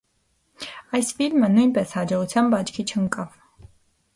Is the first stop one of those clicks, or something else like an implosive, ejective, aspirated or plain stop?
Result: plain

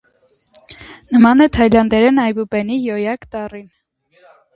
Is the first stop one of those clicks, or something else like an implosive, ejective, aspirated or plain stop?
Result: aspirated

